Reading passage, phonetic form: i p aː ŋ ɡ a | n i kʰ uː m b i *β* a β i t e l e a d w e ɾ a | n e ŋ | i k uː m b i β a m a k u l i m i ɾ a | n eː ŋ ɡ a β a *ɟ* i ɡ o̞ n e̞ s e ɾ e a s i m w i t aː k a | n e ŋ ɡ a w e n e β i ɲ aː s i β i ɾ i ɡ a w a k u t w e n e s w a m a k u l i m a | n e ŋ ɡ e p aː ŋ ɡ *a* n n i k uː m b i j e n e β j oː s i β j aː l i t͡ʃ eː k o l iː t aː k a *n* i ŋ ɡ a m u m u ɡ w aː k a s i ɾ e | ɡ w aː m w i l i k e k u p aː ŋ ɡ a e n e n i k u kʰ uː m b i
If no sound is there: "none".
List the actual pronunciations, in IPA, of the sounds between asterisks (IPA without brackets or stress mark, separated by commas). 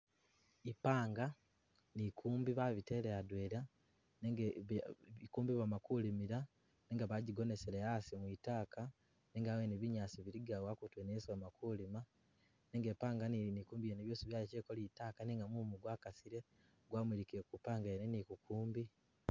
β, ɟ, a, n